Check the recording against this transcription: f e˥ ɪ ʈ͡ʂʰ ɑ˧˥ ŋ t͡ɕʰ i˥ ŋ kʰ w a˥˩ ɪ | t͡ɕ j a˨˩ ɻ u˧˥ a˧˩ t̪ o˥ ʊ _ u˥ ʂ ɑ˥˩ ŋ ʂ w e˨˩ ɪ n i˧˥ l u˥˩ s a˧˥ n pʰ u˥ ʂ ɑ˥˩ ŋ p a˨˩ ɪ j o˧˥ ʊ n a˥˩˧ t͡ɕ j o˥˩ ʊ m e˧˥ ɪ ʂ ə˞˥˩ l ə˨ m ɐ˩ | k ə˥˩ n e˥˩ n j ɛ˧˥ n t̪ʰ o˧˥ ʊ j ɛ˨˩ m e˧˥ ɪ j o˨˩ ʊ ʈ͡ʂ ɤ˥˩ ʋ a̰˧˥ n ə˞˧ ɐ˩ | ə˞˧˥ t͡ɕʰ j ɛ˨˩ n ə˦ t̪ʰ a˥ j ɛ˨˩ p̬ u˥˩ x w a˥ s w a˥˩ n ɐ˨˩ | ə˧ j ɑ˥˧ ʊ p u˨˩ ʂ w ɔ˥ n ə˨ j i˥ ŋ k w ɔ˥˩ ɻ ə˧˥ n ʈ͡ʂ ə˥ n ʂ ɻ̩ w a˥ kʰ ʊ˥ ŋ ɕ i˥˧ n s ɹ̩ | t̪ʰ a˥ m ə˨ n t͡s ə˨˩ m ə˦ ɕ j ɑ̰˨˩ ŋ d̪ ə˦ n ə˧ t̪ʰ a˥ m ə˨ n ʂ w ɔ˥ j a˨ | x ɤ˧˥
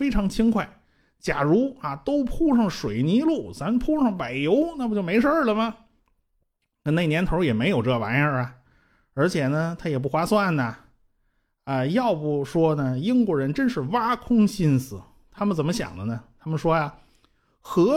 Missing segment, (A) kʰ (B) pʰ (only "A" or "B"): B